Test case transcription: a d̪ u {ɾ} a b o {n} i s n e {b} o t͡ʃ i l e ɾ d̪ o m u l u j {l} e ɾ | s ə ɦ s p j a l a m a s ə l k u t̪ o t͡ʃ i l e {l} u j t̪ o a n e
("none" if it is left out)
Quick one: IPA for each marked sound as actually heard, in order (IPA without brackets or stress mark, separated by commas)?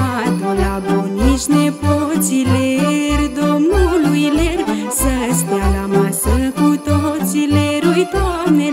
l, n, p, l, ɾ